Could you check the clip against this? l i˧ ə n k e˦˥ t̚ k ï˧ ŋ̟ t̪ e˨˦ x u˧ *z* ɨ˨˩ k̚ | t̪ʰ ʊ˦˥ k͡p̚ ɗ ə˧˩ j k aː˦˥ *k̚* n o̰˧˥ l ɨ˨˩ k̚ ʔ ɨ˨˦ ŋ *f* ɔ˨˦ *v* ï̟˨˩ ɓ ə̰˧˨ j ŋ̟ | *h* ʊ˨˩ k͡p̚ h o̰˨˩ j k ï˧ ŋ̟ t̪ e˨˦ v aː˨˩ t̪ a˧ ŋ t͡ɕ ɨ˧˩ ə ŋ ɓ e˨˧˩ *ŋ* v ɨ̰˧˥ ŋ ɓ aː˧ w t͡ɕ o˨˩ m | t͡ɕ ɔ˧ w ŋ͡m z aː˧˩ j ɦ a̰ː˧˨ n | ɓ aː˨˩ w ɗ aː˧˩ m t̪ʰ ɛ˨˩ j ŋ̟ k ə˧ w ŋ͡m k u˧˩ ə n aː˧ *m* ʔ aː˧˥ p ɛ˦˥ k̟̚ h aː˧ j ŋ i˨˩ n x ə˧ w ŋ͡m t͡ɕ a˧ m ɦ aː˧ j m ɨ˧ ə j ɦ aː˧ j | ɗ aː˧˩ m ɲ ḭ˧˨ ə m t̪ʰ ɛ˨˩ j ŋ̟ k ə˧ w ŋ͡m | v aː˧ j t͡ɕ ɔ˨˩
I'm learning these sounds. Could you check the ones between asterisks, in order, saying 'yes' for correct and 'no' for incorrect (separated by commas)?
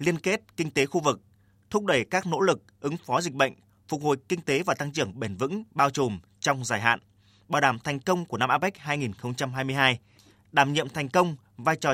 no, yes, yes, no, no, no, yes